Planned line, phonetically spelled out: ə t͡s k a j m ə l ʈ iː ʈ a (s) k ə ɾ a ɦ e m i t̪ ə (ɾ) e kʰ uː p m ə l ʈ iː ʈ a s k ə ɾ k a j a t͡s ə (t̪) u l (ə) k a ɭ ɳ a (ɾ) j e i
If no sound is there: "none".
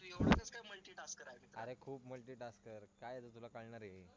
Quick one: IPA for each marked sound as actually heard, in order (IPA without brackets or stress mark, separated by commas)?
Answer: s, ɾ, t̪, a, ɾ